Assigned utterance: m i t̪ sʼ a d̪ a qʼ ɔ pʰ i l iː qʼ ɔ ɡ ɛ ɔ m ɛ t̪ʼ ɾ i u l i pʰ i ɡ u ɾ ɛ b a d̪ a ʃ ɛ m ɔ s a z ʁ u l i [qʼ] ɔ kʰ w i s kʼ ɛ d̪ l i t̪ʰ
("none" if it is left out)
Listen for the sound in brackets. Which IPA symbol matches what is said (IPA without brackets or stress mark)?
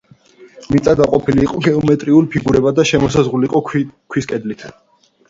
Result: qʼ